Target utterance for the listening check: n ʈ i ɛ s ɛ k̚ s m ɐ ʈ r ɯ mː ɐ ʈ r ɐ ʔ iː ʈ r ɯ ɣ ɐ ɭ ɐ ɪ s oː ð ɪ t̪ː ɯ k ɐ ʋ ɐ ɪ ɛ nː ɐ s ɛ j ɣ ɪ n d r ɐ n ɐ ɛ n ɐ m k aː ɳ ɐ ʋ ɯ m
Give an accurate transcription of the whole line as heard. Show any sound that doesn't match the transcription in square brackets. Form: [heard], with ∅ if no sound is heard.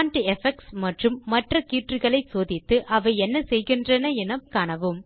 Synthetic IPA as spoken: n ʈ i ɛ [f] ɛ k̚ s m ɐ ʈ r ɯ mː ɐ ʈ r ɐ [k] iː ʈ r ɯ ɣ ɐ ɭ ɐ ɪ s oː ð ɪ t̪ː ɯ [ʔ] ɐ ʋ ɐ ɪ ɛ nː ɐ s ɛ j ɣ ɪ n d r ɐ n ɐ ɛ n ɐ m k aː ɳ ɐ ʋ ɯ m